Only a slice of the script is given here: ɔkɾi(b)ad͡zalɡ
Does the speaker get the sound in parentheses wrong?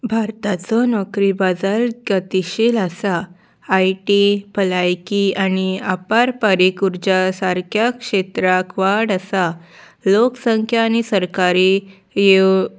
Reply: no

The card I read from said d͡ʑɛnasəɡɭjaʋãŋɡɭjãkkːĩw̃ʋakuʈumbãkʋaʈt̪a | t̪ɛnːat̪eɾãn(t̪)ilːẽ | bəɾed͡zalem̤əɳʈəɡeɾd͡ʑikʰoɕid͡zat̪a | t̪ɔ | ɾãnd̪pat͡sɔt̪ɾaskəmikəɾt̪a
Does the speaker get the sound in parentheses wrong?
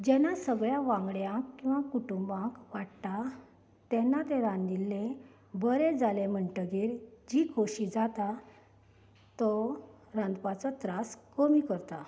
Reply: yes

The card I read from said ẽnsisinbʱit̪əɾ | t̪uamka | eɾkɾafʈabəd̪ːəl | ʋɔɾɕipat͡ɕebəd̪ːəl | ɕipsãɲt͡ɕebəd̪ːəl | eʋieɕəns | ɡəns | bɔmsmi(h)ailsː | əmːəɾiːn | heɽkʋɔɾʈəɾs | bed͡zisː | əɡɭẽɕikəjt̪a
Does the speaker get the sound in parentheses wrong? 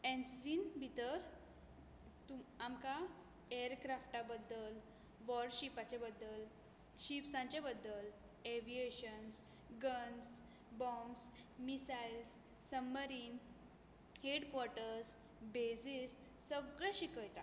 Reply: yes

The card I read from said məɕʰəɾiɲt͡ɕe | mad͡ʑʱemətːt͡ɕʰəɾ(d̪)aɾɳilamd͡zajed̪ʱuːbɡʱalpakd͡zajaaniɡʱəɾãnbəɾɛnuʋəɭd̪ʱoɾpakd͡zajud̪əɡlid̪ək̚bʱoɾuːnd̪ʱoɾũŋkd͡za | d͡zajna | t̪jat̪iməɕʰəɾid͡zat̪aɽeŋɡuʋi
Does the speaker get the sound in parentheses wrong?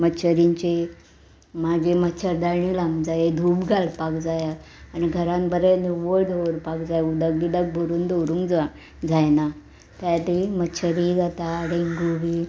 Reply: no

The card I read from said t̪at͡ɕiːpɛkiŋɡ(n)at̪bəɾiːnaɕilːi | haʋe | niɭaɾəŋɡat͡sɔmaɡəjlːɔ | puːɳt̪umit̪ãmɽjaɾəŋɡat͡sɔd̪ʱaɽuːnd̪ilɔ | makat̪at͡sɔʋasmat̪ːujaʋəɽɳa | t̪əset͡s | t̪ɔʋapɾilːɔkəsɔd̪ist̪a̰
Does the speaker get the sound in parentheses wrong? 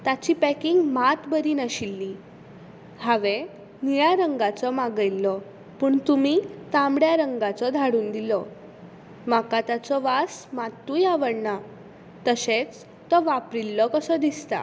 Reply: yes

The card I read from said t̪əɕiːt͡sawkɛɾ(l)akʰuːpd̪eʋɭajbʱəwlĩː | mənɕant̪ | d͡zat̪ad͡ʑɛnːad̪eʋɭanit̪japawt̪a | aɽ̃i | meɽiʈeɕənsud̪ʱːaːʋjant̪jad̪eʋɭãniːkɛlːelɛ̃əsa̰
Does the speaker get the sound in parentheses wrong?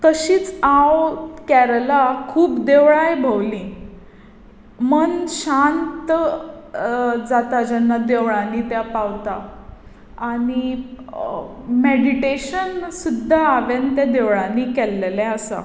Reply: no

